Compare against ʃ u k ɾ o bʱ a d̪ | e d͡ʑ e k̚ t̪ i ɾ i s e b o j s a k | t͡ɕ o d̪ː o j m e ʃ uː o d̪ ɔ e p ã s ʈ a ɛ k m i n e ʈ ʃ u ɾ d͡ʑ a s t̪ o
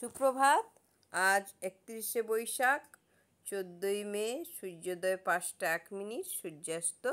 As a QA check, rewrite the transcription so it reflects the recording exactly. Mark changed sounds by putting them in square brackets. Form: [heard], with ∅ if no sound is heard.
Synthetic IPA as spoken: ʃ u k ɾ o bʱ a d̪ | [a] d͡ʑ e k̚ t̪ i ɾ i [ʃ] e b o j [ʃ] a k | t͡ɕ o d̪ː o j m e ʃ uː o d̪ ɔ e p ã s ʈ a ɛ k m i n [i] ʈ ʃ u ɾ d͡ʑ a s t̪ o